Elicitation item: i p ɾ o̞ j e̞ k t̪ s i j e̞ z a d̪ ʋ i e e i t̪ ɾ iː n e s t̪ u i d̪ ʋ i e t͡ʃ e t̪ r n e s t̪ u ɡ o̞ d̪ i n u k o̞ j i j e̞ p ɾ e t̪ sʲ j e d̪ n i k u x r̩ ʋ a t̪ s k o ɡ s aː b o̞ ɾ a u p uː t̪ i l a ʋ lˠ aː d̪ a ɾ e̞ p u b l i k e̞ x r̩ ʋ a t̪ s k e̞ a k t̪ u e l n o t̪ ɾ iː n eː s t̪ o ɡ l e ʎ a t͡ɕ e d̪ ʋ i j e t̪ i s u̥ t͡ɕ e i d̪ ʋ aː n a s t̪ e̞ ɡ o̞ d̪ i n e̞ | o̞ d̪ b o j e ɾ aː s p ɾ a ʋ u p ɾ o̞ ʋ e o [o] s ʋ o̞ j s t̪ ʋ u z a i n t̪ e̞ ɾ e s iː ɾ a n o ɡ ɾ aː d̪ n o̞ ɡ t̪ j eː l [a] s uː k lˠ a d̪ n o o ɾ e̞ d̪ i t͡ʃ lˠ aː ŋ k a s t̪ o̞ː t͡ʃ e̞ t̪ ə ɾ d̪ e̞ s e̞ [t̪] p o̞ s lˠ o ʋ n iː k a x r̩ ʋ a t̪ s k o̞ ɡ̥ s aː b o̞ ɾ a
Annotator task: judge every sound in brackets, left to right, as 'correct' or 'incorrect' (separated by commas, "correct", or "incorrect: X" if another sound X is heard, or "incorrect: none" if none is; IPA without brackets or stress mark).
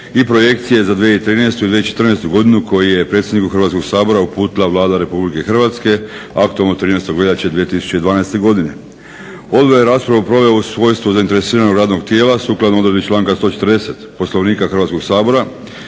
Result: incorrect: u, correct, correct